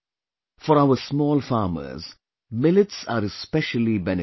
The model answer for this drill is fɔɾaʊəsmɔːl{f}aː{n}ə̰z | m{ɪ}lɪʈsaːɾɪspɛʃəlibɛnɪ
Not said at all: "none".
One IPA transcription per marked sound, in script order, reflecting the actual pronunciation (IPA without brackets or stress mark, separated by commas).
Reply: f, m, ɪ